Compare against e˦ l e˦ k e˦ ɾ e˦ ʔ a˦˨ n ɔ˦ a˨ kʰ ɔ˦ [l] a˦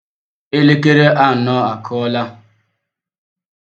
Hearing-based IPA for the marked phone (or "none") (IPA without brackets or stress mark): l